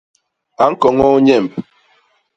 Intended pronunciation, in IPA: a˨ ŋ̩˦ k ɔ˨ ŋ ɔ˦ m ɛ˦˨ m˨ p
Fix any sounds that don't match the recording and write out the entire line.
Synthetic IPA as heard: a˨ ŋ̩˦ k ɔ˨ ŋ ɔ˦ ɲ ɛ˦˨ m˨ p